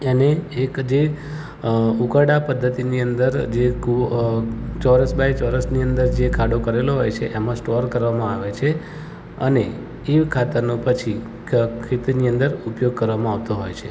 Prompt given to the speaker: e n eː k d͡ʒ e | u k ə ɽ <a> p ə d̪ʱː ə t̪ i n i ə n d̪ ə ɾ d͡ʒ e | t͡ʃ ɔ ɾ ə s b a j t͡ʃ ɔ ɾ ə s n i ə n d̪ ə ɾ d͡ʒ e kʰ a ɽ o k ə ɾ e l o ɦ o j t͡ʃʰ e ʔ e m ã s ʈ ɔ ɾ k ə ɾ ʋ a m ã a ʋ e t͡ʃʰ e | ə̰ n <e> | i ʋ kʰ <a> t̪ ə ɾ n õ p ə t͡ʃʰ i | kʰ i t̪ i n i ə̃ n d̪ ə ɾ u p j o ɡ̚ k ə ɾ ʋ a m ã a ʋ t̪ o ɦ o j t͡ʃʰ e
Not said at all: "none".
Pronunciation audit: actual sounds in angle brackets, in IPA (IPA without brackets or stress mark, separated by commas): a, e, a